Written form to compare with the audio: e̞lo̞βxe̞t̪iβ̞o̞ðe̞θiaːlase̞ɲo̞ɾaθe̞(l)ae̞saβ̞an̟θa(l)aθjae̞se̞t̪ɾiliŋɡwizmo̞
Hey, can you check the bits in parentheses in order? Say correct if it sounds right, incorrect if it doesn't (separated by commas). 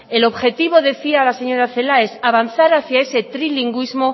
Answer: correct, incorrect